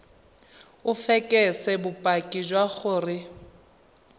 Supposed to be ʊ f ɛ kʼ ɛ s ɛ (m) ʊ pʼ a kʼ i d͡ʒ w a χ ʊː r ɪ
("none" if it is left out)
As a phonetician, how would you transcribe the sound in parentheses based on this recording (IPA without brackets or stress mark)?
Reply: b